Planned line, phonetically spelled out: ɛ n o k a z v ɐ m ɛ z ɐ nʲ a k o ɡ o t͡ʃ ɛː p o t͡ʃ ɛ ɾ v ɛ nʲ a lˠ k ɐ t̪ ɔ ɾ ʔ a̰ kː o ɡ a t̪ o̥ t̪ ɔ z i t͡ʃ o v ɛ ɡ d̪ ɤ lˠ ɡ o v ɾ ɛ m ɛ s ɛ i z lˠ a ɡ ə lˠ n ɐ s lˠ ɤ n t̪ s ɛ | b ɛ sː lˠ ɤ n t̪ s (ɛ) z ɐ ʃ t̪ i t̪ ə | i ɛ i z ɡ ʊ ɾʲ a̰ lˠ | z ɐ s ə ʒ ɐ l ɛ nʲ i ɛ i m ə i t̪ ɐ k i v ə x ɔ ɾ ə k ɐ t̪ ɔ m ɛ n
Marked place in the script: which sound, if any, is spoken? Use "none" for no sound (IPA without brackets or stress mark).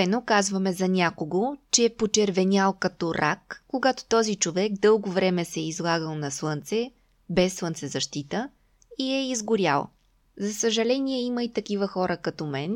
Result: ɛ